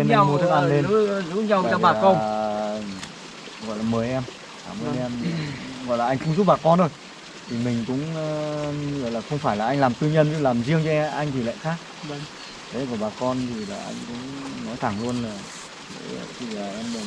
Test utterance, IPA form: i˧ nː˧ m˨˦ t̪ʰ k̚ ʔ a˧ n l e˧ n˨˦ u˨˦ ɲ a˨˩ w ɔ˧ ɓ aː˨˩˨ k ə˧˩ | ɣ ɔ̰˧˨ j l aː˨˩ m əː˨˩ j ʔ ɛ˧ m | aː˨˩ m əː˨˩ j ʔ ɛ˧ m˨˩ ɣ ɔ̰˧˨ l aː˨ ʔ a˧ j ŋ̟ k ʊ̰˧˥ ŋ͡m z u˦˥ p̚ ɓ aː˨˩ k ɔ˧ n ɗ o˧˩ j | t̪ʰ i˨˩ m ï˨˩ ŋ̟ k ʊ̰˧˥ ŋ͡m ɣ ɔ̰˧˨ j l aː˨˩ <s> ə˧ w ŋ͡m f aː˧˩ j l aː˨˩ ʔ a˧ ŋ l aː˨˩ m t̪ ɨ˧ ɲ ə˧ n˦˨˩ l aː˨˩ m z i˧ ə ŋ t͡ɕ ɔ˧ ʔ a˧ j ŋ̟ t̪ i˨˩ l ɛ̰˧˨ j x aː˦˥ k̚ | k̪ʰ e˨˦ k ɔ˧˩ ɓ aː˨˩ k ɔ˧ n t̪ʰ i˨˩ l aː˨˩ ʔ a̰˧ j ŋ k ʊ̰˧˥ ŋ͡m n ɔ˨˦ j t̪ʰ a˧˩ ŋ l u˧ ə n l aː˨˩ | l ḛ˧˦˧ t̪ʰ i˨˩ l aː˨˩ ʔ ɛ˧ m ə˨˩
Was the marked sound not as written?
yes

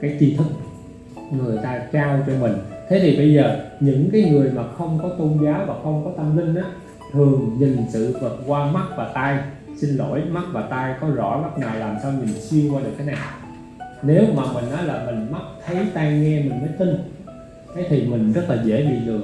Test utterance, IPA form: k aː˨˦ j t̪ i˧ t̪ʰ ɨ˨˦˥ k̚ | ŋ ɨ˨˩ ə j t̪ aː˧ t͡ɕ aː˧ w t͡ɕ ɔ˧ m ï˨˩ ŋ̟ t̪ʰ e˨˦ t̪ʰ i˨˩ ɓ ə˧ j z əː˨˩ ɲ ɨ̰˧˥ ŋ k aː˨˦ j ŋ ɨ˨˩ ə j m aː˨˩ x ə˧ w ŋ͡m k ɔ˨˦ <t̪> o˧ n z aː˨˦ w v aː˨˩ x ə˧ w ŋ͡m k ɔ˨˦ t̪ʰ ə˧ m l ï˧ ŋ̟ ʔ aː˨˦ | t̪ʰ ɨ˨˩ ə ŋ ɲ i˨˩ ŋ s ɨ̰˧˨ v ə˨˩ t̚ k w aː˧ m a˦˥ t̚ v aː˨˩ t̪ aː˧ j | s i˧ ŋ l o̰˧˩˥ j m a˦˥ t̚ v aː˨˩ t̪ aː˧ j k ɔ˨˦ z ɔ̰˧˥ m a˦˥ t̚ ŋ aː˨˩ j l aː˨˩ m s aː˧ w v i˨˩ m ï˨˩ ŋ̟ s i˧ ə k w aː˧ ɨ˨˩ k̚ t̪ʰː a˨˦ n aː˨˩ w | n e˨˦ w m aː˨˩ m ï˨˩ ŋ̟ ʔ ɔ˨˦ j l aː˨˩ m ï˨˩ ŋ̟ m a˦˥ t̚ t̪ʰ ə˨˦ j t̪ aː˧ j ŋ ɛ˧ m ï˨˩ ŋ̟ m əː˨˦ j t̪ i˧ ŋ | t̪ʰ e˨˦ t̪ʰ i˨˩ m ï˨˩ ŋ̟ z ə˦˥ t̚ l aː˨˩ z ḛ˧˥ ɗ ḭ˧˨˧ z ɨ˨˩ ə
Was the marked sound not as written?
no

